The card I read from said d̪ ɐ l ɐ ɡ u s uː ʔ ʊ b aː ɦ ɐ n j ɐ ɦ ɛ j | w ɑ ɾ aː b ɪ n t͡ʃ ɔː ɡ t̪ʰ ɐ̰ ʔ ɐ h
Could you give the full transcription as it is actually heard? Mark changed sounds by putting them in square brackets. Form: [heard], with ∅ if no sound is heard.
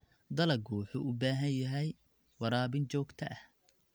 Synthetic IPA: d̪ ɐ l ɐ ɡ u [ħ] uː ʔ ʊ b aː ɦ ɐ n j ɐ ɦ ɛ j | w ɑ ɾ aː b ɪ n t͡ʃ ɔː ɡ t̪ʰ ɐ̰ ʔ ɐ h